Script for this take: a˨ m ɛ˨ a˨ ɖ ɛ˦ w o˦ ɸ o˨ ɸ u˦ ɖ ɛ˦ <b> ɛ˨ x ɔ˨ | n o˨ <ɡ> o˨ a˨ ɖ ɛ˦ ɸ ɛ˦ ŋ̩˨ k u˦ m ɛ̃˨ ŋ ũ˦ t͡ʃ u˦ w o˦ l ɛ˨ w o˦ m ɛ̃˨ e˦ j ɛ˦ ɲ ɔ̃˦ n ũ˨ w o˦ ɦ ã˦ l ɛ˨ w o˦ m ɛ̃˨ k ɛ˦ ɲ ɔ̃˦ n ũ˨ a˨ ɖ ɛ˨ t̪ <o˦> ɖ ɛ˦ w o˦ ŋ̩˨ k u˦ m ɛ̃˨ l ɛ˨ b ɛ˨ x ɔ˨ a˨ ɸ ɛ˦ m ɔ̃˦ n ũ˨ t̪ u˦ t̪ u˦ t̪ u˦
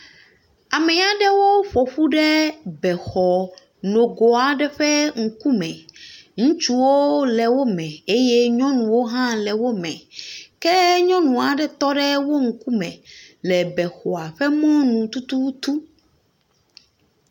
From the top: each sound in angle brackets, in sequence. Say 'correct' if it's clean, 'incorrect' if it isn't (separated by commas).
correct, correct, incorrect